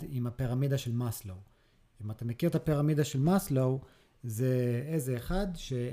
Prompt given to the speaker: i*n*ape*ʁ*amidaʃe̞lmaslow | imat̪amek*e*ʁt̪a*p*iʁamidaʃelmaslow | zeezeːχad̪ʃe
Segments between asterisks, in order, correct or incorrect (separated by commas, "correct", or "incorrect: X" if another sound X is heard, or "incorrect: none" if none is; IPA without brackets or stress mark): incorrect: m, correct, incorrect: i, correct